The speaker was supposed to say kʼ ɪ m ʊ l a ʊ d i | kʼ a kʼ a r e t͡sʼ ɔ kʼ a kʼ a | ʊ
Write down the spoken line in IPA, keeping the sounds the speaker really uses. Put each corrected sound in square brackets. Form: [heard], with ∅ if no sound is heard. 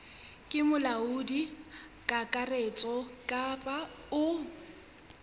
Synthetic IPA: kʼ ɪ m ʊ l a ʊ d i | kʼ a kʼ a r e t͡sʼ ɔ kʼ a [pʼ] a | ʊ